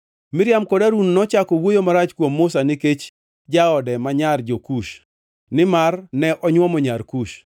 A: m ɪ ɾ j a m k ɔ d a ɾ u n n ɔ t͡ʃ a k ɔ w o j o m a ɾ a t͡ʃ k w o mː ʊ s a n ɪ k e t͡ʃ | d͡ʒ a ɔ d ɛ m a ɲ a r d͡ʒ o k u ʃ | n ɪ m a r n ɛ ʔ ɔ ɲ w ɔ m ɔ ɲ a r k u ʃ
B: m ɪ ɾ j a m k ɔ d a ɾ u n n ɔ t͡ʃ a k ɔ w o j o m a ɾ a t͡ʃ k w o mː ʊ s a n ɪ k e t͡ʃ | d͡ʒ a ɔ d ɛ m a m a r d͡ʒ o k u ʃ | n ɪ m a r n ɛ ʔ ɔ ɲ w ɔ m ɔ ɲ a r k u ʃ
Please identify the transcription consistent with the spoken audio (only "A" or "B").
A